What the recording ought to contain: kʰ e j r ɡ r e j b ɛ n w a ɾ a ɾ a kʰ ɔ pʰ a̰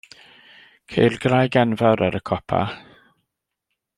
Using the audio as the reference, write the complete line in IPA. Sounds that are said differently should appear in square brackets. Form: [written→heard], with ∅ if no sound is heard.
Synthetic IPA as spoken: kʰ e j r ɡ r [e→a] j [b→ɡ] ɛ n [w→v] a ɾ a ɾ [a→ə] kʰ ɔ pʰ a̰